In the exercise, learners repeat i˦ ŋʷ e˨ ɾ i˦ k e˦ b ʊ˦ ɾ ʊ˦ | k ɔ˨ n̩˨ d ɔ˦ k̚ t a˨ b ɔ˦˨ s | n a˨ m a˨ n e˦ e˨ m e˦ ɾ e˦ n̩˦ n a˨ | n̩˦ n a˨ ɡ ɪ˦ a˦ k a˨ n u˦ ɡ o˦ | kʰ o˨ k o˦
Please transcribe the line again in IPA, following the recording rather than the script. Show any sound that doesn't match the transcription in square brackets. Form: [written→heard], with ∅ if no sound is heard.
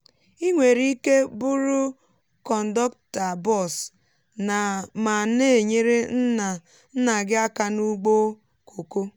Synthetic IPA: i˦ ŋʷ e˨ ɾ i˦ k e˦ b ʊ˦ ɾ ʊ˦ | k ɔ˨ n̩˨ d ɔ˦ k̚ t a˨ b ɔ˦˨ s | n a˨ m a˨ n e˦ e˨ [m→ɲ] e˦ ɾ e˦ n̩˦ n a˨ | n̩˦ n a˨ ɡ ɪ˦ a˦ k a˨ n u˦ [ɡ→ɡ͡b] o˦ | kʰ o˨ k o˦